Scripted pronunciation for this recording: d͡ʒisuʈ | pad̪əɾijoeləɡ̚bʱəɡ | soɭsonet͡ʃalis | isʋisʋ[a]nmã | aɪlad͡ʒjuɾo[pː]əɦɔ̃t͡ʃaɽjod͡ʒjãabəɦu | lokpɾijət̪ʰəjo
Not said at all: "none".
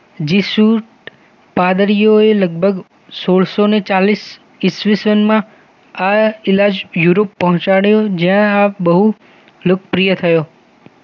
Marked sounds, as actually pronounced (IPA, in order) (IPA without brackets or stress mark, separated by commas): ə, pː